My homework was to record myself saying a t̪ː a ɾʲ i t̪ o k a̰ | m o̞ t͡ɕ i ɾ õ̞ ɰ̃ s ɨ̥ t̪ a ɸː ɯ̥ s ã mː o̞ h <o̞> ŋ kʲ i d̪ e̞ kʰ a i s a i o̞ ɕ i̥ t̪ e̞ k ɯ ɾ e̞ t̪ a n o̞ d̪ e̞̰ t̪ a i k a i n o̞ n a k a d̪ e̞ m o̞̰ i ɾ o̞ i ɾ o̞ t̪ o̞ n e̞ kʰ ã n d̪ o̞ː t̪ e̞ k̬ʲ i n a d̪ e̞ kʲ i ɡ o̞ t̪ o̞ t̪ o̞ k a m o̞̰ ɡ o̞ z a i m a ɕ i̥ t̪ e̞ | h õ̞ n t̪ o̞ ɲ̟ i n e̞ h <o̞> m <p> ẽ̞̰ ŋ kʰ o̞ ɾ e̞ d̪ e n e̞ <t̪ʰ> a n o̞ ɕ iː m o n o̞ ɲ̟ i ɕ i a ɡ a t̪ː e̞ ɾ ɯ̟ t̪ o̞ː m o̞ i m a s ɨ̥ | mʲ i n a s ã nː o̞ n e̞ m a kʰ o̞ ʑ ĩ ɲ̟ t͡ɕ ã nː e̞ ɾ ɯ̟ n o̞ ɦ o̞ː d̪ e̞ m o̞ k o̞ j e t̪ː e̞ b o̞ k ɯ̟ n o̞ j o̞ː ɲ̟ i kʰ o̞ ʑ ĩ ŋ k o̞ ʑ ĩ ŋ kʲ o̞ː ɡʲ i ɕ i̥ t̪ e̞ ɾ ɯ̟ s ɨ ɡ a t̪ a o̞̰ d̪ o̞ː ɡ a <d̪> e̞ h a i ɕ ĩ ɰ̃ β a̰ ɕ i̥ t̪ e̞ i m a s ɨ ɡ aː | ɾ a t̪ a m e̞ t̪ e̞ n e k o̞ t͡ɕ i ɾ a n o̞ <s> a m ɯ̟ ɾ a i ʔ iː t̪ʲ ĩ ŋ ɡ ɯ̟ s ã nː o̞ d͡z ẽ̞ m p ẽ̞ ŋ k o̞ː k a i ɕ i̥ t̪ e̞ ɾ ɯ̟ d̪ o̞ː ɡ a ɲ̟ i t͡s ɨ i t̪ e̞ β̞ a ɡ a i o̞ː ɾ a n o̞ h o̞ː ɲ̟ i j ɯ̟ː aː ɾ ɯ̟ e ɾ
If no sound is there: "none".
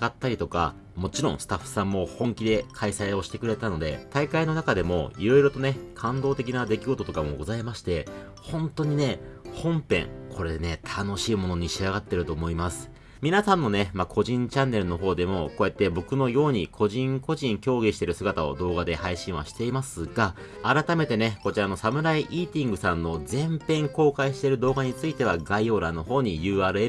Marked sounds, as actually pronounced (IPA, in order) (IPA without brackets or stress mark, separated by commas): õ̞, õ̞, p, t̪ʰ, d̪, s